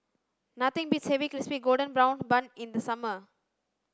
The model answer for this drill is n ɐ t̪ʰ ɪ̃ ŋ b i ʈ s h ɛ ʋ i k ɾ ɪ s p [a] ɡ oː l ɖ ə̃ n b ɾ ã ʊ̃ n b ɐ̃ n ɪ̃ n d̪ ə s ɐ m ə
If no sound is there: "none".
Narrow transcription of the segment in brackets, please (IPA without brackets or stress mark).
i